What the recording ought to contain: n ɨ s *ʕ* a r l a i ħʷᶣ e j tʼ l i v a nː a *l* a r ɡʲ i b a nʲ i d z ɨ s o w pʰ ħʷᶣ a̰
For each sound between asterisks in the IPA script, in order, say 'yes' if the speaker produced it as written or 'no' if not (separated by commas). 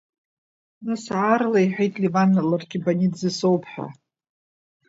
yes, yes